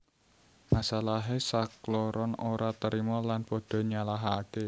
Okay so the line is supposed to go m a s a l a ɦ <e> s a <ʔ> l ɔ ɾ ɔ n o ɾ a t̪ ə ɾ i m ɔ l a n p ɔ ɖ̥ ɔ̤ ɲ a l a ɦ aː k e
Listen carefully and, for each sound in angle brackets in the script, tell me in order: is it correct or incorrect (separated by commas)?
correct, incorrect